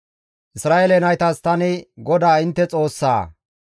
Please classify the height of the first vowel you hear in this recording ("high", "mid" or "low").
high